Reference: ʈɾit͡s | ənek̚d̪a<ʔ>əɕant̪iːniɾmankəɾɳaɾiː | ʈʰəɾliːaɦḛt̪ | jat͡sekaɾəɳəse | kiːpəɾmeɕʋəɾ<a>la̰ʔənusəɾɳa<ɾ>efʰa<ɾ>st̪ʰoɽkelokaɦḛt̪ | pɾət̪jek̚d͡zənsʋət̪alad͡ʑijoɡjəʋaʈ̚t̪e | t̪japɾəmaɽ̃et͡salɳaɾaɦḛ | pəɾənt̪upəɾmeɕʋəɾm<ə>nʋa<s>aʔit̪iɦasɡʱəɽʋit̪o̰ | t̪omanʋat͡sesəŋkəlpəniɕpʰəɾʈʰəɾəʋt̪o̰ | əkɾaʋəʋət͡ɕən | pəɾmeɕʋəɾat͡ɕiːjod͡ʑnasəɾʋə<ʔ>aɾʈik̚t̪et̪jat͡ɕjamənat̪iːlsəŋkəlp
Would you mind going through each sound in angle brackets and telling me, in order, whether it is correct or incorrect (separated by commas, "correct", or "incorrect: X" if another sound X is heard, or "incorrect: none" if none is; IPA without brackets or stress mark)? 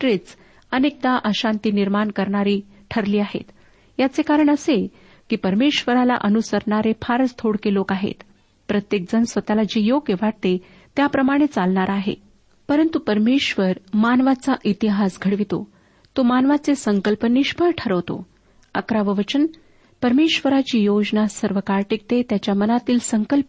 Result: correct, correct, correct, correct, incorrect: a, incorrect: t͡s, incorrect: k